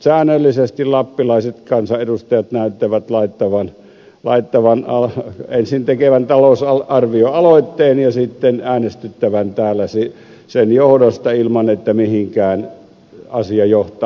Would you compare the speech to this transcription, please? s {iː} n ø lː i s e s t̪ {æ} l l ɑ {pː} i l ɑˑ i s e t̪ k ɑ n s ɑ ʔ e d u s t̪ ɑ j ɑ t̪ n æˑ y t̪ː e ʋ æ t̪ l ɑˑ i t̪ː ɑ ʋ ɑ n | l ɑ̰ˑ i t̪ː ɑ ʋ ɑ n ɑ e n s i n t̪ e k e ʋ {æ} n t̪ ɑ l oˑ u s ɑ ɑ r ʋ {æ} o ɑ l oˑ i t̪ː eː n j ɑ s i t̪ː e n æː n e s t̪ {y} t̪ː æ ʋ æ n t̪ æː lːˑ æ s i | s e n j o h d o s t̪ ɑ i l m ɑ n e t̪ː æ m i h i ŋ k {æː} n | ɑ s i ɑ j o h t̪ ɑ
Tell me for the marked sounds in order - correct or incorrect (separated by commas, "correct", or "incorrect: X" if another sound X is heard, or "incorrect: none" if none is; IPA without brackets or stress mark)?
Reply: incorrect: æː, incorrect: i, correct, correct, incorrect: i, correct, correct